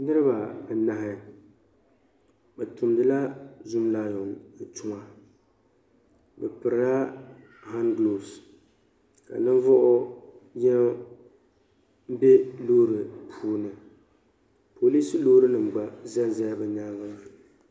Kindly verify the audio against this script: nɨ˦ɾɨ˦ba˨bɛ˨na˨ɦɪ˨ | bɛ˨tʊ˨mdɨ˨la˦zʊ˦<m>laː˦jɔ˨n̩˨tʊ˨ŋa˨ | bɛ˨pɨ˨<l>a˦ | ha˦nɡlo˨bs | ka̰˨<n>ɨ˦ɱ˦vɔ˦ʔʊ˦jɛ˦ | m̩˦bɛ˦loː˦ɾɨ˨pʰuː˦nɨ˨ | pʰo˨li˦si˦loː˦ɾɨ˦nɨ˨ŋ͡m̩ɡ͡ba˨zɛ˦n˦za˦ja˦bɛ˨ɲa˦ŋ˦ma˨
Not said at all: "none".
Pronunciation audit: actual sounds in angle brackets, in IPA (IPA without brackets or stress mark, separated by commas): m, ɾ, n